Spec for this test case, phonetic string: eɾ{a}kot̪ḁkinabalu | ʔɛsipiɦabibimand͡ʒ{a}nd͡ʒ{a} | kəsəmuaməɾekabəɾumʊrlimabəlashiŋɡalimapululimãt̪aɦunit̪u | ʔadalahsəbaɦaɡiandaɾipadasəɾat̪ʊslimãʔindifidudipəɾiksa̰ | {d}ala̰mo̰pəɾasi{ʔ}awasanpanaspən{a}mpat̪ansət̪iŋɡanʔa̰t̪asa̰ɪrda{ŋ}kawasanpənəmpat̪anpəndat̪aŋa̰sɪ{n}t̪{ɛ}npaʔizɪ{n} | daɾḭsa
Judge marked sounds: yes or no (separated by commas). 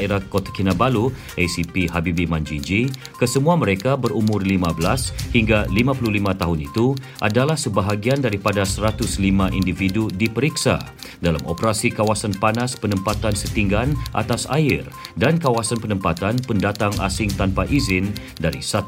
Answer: yes, no, no, yes, no, no, no, no, no, yes